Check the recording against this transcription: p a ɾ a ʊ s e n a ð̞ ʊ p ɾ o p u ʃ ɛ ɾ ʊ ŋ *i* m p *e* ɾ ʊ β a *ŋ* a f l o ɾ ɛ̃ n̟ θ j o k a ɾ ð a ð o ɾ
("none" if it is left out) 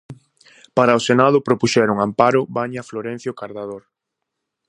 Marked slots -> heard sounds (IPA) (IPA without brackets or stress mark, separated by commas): a, a, ɲ